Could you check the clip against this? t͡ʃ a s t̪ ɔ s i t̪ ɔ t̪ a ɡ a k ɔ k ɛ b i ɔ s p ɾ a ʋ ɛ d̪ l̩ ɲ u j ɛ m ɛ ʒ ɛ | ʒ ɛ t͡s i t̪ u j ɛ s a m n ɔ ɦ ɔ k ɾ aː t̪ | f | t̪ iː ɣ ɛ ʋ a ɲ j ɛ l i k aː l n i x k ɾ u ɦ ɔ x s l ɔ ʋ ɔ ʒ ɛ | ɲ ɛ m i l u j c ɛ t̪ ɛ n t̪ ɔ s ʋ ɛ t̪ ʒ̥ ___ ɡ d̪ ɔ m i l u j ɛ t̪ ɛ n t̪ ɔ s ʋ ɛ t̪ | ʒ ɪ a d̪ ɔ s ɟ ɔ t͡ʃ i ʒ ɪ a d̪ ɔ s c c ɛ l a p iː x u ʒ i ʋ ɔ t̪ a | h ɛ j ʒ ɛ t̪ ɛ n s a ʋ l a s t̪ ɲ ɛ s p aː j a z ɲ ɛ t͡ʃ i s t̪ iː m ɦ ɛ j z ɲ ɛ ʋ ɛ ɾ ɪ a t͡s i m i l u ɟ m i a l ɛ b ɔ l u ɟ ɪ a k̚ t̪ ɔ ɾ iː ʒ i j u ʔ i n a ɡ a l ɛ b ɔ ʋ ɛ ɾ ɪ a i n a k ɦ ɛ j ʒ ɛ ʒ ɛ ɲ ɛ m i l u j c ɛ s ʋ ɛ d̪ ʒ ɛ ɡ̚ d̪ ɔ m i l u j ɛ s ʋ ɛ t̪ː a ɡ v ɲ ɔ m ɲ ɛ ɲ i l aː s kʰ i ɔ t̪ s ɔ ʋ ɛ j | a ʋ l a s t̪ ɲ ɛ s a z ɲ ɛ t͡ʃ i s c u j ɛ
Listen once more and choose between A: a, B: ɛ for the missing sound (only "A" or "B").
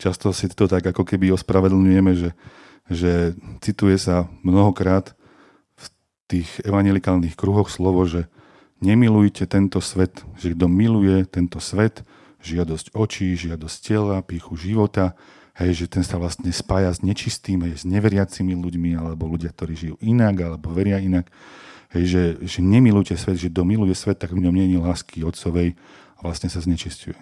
B